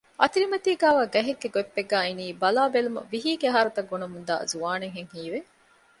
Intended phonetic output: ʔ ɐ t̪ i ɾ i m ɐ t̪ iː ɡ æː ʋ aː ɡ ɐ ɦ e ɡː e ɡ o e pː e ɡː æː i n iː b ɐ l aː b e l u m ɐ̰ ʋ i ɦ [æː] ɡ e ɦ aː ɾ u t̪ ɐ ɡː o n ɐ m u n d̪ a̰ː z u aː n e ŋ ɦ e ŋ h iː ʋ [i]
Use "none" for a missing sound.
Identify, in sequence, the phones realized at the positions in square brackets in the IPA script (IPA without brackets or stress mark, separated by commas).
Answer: iː, e